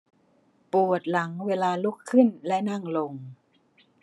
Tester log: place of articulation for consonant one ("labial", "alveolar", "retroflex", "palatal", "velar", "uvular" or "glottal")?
labial